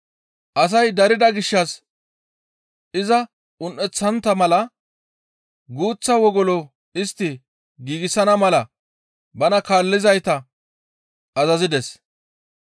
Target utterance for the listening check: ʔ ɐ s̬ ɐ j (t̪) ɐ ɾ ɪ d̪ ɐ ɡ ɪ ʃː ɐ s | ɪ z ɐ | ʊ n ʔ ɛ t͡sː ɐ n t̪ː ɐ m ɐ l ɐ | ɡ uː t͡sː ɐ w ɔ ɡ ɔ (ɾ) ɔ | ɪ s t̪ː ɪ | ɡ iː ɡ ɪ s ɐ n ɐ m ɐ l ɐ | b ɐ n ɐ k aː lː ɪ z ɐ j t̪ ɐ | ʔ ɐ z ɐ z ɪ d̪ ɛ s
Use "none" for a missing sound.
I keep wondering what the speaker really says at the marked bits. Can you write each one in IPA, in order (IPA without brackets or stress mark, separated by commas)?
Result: d̪, l